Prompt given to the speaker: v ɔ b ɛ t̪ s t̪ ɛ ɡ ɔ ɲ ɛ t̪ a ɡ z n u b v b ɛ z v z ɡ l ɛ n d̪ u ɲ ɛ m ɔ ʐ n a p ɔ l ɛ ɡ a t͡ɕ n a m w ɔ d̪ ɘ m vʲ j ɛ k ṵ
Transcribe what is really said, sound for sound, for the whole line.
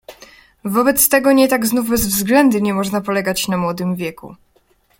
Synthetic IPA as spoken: v ɔ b ɛ t̪ s t̪ ɛ ɡ ɔ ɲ ɛ t̪ a ɡ z n u v b ɛ z v z ɡ l ɛ n d̪ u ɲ ɛ m ɔ ʐ n a p ɔ l ɛ ɡ a t͡ɕ n a m w ɔ d̪ ɘ m vʲ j ɛ k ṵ